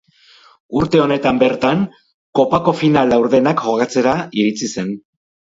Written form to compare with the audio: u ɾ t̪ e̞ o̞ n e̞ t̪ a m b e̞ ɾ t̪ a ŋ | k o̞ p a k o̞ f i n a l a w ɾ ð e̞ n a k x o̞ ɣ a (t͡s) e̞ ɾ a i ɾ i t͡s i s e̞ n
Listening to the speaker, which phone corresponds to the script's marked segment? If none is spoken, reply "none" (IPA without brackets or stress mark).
t͡s